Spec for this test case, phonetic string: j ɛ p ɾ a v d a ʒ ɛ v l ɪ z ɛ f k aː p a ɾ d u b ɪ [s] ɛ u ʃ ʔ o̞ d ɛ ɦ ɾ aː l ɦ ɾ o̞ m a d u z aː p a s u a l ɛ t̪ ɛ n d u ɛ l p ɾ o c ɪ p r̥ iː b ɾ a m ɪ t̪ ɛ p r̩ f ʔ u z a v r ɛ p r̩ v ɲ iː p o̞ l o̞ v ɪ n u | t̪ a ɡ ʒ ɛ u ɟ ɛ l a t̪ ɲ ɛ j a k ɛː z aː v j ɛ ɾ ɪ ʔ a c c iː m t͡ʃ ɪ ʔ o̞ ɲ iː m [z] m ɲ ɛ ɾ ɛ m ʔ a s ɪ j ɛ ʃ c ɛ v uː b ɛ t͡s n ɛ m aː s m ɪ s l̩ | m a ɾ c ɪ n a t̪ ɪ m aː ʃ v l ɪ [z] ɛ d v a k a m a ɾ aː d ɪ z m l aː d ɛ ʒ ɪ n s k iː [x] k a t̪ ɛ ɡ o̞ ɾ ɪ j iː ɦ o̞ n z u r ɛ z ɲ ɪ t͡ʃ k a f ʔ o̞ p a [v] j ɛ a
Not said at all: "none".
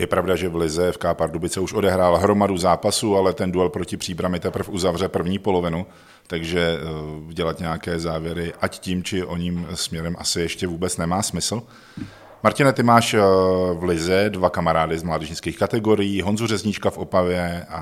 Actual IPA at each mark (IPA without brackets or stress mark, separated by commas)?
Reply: t͡s, s, z, x, v